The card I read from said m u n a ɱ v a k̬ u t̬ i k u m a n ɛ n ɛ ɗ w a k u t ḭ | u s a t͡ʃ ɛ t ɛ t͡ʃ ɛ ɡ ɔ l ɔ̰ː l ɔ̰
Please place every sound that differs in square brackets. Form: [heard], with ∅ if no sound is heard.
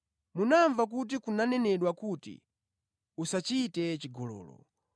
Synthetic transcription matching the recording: m u n a ɱ v a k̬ u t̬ i k u [n] a n ɛ n ɛ ɗ w a k u t ḭ | u s a t͡ʃ [i] t ɛ t͡ʃ [i] ɡ ɔ l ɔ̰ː l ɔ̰